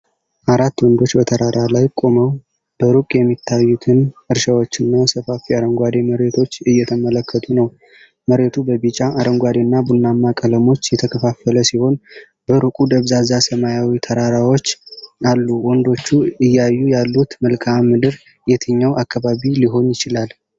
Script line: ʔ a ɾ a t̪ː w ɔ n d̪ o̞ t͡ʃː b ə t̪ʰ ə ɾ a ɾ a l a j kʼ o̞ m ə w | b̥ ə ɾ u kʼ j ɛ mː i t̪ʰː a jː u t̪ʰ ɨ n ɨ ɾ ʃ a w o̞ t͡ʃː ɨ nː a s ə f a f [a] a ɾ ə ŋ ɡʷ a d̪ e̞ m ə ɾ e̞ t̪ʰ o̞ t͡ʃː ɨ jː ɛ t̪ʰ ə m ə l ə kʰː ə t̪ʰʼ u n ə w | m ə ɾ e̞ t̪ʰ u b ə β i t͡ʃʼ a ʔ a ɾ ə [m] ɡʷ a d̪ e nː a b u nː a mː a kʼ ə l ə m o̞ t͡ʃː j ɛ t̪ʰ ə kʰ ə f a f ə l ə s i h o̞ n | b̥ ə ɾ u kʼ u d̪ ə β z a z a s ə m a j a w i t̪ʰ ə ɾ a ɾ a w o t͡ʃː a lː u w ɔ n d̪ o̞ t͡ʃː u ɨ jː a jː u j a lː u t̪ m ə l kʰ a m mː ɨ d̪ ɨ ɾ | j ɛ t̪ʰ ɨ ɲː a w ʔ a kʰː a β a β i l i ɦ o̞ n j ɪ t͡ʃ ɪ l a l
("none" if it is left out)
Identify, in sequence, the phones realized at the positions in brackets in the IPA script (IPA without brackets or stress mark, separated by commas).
i, ŋ